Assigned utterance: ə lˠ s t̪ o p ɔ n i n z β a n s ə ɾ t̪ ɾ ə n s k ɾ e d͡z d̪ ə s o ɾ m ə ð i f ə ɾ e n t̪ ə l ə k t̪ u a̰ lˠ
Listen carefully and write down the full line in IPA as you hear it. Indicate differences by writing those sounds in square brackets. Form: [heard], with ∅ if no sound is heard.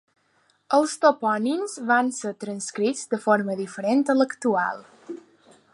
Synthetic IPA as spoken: ə lˠ s t̪ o p ɔ n i n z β a n s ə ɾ t̪ ɾ ə n s k ɾ [i] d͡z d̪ ə [f] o ɾ m ə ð i f ə ɾ e n t̪ ə l ə k t̪ u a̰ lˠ